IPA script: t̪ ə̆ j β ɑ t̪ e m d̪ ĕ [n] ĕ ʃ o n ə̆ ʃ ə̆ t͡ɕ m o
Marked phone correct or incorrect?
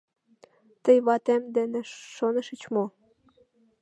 correct